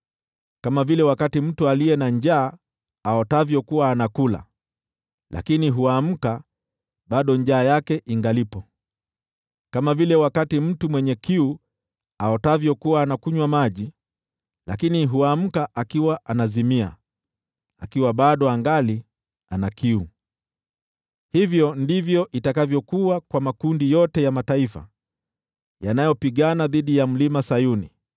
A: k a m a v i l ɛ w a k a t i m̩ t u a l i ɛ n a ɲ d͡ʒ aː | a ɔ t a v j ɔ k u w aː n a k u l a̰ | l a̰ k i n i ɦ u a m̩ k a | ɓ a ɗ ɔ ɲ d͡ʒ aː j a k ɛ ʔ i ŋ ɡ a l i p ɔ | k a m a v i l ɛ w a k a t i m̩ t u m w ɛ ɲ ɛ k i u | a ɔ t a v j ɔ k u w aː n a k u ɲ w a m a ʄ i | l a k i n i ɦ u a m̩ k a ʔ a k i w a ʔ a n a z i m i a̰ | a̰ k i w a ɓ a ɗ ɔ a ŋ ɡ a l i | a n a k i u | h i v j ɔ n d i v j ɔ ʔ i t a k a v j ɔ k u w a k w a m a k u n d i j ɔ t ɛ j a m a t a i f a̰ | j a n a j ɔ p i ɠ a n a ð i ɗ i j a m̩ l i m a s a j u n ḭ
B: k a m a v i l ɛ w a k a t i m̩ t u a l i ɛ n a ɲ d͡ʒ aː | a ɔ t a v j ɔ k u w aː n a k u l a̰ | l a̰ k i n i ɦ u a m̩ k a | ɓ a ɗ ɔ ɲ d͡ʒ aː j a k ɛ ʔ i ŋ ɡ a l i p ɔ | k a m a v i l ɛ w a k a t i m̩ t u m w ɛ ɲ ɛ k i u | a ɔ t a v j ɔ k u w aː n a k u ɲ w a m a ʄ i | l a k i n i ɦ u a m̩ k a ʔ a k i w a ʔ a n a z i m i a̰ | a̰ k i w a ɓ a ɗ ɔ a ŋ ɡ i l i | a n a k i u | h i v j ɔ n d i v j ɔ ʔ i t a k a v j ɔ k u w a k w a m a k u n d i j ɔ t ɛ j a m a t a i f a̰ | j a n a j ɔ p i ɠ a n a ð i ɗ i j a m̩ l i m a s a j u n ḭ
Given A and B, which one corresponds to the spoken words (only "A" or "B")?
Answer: A